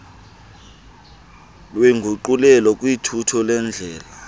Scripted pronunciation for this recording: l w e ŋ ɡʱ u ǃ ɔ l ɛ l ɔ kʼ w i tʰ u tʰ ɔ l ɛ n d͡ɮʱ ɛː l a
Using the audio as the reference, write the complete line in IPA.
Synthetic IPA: l w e ŋ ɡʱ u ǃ u l ɛ l ɔ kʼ w i tʰ u tʰ ɔ l ɛ n d͡ɮʱ ɛː l a

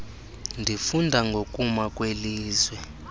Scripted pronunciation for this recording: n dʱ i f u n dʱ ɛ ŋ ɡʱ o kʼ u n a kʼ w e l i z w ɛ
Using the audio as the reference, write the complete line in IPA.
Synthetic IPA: n dʱ i f u n dʱ a ŋ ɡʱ o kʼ u m a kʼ w e l iː z w ɛ

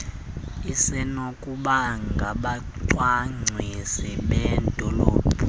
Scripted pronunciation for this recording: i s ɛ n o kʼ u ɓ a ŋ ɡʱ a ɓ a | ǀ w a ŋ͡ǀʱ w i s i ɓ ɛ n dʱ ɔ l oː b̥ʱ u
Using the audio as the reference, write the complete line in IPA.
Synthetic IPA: i s ɛ n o kʼ u ɓ a ŋ ɡʱ a ɓ a | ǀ w a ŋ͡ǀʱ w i s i ɓ ɛ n dʱ ɔ l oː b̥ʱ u

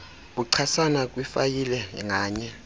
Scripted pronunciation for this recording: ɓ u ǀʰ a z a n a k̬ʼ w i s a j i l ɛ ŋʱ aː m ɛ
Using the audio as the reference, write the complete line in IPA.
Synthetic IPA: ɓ u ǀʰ a s a n a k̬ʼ w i f a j i l ɛ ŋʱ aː ɲ ɛ

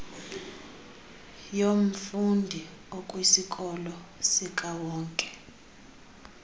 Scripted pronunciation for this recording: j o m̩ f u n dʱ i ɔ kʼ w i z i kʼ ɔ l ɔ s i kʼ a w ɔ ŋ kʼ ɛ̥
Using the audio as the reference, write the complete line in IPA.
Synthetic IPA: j o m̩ f u n dʱ i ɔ kʼ w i s i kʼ ɔ l ɔ s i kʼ a w ɔː ŋ kʼ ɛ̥

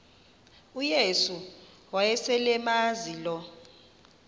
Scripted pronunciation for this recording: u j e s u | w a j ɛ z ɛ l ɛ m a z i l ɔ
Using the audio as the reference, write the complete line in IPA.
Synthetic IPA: u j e s u | w a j ɛ s ɛ l ɛ m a z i l ɔ

